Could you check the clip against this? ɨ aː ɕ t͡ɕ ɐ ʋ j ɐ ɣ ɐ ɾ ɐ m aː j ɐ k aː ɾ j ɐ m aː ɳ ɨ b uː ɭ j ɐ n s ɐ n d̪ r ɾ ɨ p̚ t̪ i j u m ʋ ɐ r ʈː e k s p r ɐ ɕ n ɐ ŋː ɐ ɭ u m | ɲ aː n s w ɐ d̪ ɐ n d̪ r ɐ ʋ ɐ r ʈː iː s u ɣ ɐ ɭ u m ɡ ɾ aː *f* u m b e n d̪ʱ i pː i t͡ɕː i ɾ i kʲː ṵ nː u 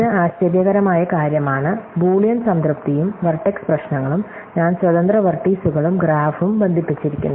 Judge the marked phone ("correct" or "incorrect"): correct